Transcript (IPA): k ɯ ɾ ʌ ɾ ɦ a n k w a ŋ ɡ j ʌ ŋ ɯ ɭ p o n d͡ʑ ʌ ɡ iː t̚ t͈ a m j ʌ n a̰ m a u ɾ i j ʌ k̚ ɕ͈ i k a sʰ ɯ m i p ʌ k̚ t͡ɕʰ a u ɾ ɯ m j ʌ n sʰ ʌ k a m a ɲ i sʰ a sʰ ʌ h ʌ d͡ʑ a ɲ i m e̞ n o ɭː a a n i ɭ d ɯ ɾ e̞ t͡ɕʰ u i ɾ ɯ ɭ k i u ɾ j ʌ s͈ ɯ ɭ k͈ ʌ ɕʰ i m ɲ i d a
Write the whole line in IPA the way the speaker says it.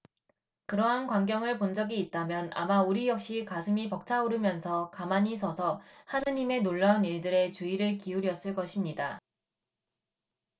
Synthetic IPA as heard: k ɯ ɾ ʌ ɦ a n k w a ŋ ɡ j ʌ ŋ ɯ ɭ p o n d͡ʑ ʌ ɡ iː t̚ t͈ a m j ʌ n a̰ m a u ɾ i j ʌ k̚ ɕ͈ i k a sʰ ɯ m i p ʌ k̚ t͡ɕʰ a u ɾ ɯ m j ʌ n sʰ ʌ k a m a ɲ i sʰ ʌ sʰ ʌ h a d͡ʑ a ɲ i m e̞ n o ɭː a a n i ɭ d ɯ ɾ e̞ t͡ɕ u i ɾ ɯ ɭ k i u ɾ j ʌ s͈ ɯ ɭ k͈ ʌ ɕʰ i m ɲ i d a